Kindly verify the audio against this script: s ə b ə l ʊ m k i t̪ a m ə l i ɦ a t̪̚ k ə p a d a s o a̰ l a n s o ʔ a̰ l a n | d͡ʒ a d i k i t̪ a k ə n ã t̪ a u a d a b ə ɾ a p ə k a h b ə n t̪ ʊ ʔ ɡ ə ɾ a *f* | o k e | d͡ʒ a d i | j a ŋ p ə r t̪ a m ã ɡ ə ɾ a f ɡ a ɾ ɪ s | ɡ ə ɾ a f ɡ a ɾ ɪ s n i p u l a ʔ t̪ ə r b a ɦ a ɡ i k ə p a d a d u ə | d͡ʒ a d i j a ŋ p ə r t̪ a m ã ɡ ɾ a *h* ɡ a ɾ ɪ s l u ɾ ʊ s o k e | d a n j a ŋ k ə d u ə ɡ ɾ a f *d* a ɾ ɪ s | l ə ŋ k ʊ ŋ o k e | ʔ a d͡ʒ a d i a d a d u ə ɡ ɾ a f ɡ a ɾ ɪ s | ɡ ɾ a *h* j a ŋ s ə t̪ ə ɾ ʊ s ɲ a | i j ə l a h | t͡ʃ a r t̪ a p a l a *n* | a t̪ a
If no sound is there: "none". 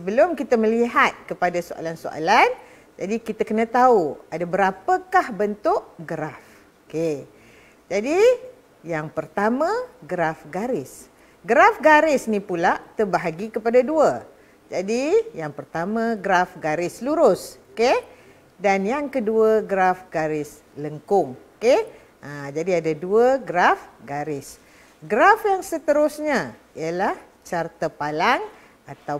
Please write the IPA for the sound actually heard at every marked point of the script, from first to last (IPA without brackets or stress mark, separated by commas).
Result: f, f, ɡ, f, ŋ